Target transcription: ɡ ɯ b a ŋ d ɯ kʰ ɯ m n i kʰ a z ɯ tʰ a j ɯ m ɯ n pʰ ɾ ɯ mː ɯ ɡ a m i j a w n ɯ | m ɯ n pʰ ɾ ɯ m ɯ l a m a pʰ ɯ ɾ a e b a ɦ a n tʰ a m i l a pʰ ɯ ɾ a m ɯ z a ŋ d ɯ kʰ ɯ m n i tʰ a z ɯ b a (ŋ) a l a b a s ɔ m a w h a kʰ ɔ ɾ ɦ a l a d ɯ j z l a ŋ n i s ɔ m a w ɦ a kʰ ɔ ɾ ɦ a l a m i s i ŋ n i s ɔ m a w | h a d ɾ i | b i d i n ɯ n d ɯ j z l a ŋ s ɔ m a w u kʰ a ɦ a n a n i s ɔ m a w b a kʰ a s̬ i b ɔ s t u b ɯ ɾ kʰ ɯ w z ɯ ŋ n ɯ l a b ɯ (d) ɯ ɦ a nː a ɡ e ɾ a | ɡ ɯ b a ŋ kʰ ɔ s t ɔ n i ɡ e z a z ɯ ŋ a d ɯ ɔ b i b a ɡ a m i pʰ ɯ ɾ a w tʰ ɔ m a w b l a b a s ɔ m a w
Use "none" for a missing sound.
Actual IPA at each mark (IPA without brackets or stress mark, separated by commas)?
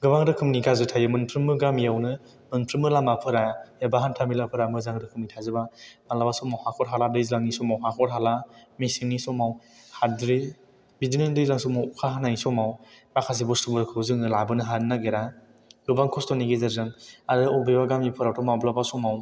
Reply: m, n